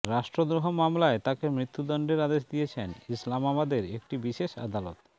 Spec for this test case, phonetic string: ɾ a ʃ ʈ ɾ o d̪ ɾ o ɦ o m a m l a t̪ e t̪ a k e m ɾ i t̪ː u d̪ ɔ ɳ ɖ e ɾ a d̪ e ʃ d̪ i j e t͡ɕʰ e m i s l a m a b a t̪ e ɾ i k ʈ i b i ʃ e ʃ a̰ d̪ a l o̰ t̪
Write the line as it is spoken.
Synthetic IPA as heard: ɾ a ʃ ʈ ɾ o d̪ ɾ o ɦ o m a m l a e t̪ a k e m ɾ i t̪ː u d̪ ɔ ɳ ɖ e ɾ a d̪ e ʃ d̪ i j e t͡ɕʰ e n i s l a m a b a d̪ e ɾ e k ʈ i b i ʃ e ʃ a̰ d̪ a l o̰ t̪